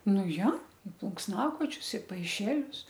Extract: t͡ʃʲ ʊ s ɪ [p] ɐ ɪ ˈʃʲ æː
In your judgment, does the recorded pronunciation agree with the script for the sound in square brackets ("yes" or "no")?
yes